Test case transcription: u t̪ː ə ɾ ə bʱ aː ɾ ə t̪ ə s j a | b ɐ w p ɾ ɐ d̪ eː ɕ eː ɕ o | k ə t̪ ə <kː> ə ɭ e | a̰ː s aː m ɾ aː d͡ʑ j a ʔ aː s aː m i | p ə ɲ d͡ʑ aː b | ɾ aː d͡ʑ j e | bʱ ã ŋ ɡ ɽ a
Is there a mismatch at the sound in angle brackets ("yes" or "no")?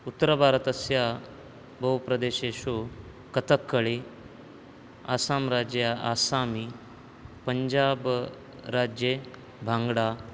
no